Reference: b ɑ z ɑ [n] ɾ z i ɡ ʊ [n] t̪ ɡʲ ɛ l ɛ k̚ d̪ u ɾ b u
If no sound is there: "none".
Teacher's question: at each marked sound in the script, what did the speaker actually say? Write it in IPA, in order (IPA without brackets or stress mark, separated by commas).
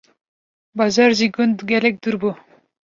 none, n